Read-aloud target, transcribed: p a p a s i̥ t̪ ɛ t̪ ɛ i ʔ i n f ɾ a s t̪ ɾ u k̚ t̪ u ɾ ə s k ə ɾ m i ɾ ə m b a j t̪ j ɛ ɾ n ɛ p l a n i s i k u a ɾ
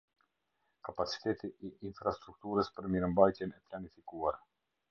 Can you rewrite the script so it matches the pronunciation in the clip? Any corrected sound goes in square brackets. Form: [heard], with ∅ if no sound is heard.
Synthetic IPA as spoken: [k] a p a [t͡s] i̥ t̪ ɛ t̪ [i] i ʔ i n f ɾ a s t̪ ɾ u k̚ t̪ u ɾ ə s [p] ə ɾ m i ɾ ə m b a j t̪ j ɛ [∅] n ɛ p l a n i [f] i k u a ɾ

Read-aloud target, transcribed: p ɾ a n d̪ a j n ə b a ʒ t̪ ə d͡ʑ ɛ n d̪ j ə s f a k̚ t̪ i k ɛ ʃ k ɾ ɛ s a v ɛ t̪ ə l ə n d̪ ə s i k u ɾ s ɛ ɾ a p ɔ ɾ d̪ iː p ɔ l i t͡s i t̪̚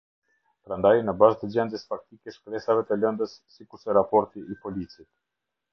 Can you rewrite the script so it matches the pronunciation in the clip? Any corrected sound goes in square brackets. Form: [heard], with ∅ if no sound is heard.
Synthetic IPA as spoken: p ɾ a n d̪ a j n ə b a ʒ t̪ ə d͡ʑ ɛ n d̪ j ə s f a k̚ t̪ i k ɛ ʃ k ɾ ɛ s a v ɛ t̪ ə l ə n d̪ ə [sː] i k u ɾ s ɛ ɾ a p ɔ ɾ [t̪] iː p ɔ l i t͡s i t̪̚

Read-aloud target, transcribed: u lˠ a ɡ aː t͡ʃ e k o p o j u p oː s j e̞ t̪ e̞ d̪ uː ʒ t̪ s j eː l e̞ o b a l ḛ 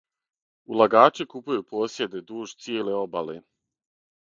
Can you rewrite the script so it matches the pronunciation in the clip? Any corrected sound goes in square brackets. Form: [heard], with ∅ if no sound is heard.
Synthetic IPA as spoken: u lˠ a ɡ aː t͡ʃ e k [u] p [u] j u p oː s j e̞ [d̪] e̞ d̪ uː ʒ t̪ s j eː l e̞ o b a l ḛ

